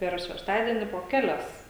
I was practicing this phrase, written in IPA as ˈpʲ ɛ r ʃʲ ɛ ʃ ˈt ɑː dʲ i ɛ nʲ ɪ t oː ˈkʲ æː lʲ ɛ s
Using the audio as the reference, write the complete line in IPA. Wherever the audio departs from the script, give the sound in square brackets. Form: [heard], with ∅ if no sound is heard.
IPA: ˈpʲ ɛ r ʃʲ ɛ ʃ ˈt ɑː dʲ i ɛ nʲ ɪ [p] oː ˈkʲ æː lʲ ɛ s